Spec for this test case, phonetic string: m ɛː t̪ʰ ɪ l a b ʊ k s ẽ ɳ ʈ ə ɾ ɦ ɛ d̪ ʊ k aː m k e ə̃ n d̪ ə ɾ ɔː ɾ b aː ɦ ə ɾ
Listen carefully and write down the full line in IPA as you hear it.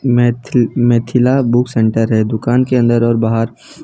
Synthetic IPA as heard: m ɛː t̪ʰ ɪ l a b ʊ k s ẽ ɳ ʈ ə ɾ ɦ ɛ d̪ ʊ k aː n k e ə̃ n d̪ ə ɾ ɔː ɾ b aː ɦ ə ɾ